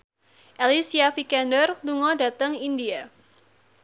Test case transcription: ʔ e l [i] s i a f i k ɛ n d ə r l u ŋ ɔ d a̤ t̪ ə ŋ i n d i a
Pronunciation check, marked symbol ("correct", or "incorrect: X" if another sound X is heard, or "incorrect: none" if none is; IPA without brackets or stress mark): correct